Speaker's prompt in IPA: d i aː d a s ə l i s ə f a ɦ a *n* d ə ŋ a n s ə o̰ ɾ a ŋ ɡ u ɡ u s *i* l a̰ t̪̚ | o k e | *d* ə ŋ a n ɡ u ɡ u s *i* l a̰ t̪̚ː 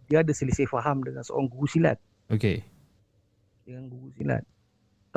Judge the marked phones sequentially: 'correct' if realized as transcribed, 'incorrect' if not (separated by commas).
incorrect, correct, correct, correct